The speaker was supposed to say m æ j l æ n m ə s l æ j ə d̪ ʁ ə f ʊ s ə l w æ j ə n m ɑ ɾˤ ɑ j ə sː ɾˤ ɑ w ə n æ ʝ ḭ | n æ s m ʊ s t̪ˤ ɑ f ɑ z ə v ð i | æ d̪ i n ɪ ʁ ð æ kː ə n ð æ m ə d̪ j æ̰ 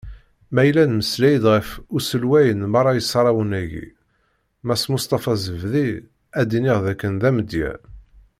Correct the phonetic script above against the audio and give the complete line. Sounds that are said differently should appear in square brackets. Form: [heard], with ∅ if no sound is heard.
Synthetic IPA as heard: m æ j l æ n m ə s l æ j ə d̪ ʁ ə f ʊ s ə l w æ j ə n m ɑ ɾˤ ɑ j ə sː ɾˤ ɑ w ə n æ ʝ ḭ | [m] æ s m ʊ s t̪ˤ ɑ f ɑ z ə v ð i | æ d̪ i n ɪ ʁ ð æ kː ə n ð æ m ə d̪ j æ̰